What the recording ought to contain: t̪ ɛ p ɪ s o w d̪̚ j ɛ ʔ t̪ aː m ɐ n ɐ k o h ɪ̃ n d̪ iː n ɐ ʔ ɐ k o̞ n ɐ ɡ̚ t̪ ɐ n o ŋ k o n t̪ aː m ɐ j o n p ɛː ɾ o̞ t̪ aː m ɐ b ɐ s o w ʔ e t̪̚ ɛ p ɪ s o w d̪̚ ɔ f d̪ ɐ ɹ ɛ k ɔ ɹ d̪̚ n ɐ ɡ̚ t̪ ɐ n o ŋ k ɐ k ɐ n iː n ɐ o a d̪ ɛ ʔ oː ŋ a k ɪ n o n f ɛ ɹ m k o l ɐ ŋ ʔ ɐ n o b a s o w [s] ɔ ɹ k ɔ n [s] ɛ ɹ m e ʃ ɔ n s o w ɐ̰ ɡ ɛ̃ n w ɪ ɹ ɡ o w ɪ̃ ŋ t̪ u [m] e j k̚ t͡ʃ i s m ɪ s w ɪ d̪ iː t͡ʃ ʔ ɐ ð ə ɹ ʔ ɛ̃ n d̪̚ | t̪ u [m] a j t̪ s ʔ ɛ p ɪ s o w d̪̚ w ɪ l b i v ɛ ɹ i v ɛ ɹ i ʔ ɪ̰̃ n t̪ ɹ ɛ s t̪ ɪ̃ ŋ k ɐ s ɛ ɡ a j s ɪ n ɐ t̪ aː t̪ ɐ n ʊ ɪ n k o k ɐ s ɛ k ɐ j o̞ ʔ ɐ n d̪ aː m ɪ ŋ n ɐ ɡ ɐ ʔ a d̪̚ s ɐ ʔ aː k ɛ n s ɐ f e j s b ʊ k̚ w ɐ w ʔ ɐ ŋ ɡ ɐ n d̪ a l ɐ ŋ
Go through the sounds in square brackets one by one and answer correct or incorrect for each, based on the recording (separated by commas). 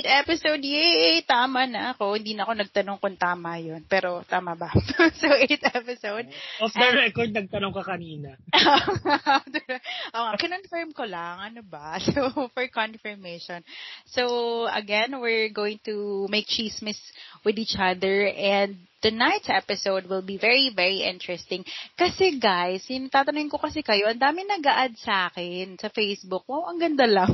incorrect, incorrect, correct, incorrect